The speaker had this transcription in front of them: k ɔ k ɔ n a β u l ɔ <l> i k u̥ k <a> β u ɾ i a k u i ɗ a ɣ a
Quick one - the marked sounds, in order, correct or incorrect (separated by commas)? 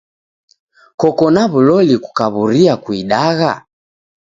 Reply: correct, correct